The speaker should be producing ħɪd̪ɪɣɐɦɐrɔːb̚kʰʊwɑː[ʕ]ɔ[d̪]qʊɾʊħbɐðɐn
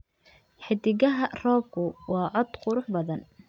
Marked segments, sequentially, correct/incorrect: correct, correct

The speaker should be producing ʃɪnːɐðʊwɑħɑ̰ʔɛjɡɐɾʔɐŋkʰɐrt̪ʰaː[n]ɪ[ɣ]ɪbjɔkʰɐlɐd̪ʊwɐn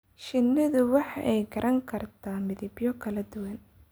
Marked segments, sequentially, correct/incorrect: incorrect, incorrect

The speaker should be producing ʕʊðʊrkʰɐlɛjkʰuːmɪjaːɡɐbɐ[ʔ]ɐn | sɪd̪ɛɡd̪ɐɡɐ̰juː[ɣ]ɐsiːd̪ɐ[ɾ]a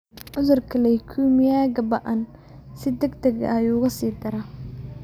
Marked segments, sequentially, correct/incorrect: correct, correct, correct

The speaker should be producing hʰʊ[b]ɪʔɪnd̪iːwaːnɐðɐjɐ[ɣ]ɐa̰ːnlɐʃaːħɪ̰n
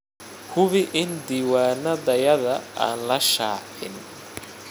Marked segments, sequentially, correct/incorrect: incorrect, incorrect

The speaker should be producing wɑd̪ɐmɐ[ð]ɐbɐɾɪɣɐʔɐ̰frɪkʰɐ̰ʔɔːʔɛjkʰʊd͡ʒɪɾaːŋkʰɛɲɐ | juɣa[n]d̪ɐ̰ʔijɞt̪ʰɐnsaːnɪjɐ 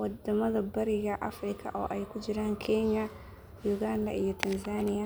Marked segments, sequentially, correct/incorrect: correct, correct

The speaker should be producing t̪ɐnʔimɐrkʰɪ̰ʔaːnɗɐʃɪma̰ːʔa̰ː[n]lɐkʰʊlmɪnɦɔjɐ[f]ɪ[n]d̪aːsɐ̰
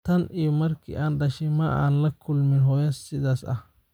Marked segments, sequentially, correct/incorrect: correct, incorrect, incorrect

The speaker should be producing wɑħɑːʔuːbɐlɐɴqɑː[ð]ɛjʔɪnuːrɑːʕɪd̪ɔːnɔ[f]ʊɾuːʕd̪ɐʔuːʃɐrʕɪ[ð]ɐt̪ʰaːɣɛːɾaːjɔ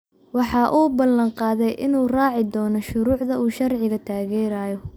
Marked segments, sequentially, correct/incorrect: correct, incorrect, incorrect

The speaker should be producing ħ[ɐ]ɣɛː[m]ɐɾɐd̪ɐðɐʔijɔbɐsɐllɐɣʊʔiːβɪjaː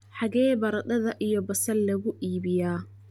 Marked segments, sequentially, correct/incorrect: incorrect, incorrect

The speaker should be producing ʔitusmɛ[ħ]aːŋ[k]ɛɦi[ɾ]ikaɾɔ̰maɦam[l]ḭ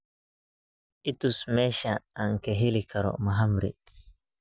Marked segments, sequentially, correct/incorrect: incorrect, correct, incorrect, incorrect

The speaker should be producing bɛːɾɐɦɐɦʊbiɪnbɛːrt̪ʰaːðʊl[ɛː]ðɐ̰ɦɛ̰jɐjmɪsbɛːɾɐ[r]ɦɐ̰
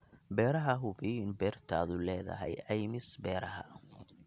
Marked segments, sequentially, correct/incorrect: correct, incorrect

